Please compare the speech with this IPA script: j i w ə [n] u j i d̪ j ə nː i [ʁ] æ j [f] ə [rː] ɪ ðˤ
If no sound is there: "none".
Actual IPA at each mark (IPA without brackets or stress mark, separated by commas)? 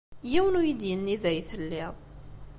n, ð, θ, lː